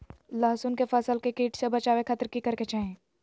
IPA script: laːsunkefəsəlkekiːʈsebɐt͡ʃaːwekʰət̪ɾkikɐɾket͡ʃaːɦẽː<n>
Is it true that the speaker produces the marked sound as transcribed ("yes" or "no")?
no